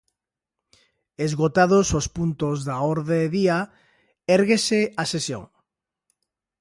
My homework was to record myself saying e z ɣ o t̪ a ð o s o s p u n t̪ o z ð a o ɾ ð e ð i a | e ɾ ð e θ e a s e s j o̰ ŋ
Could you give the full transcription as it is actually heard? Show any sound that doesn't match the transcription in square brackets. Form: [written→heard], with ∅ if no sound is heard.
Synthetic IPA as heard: e z ɣ o t̪ a ð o s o s p u n t̪ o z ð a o ɾ ð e ð i a | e ɾ [ð→ɣ] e [θ→s] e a s e s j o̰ ŋ